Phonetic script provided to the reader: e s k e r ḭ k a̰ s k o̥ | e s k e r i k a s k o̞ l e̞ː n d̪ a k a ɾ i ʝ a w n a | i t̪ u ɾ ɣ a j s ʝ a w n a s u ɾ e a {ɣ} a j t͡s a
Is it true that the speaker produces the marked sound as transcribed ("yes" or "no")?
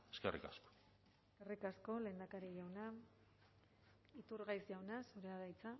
no